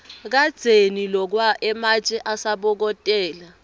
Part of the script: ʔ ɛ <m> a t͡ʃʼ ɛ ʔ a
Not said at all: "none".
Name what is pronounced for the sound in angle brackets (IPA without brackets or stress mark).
m